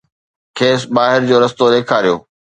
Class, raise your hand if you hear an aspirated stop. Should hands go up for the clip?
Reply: yes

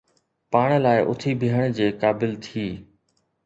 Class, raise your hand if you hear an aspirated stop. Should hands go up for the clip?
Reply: yes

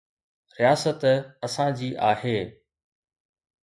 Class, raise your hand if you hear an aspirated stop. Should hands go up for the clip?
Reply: no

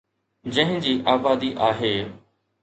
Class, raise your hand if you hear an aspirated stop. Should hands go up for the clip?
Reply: no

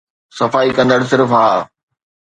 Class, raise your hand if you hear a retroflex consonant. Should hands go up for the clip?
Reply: yes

